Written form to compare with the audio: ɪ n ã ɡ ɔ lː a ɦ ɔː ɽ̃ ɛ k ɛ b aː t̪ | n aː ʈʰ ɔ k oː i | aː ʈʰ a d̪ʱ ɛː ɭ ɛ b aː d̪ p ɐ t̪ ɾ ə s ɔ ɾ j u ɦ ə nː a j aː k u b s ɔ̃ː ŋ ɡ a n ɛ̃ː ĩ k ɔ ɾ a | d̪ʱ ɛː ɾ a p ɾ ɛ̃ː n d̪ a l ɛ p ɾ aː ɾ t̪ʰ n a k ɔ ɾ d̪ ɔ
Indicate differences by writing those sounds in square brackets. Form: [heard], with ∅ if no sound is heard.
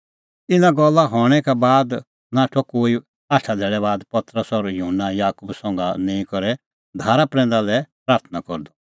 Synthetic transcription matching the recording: ɪ n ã ɡ ɔ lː a ɦ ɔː ɽ̃ ɛ k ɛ b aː [d̪] | n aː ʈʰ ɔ k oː i | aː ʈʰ a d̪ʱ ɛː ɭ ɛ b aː d̪ p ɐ t̪ ɾ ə s ɔ ɾ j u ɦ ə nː a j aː k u b s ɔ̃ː ŋ ɡ a n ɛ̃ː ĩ k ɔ ɾ [ɛ] | d̪ʱ [aː] ɾ a p ɾ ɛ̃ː n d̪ a l ɛ p ɾ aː ɾ t̪ʰ n a k ɔ ɾ d̪ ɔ